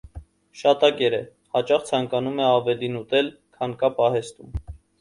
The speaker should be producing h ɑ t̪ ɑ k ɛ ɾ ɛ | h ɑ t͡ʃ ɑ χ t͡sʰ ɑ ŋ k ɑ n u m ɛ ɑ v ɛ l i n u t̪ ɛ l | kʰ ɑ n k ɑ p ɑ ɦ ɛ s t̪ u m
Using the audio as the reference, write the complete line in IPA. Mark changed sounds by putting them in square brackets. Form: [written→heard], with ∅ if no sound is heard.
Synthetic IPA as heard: [h→ʃ] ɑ t̪ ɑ k ɛ ɾ ɛ | h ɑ t͡ʃ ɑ χ t͡sʰ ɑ ŋ k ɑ n u m ɛ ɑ v ɛ l i n u t̪ ɛ l | kʰ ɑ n k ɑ p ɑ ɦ ɛ s t̪ u m